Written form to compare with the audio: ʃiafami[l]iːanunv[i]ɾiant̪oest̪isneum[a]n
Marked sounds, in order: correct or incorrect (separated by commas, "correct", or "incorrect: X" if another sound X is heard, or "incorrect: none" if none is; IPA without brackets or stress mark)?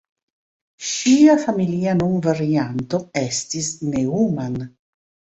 correct, incorrect: a, correct